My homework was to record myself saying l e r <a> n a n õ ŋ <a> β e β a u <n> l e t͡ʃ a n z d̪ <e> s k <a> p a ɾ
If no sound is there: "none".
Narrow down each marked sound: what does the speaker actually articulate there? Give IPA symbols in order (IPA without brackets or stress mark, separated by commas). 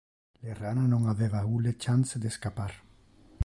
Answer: a, a, none, e, a